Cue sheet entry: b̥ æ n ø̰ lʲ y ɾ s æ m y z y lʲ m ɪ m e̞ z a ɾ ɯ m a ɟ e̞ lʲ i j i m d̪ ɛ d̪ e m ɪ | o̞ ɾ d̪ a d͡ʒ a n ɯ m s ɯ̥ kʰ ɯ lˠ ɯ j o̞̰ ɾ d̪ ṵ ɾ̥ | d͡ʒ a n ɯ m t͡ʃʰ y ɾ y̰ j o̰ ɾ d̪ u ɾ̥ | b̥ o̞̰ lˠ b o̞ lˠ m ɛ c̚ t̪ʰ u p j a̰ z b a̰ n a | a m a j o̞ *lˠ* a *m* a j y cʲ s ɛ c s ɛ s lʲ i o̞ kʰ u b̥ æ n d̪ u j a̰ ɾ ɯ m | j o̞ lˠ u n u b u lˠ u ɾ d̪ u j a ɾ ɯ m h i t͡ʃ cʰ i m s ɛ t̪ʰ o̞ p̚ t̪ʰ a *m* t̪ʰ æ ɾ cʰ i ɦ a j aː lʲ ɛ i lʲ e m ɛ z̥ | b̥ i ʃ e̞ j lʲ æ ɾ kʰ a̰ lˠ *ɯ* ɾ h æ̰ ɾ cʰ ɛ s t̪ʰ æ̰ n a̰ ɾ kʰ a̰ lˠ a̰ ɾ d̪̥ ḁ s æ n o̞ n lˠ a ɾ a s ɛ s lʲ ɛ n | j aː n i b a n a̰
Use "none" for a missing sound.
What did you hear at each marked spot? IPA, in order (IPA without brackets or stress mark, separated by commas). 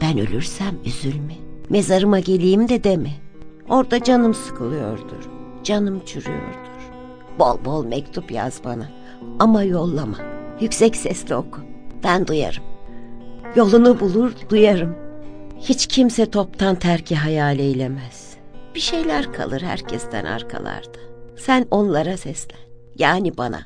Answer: lˠː, m, n, ɯ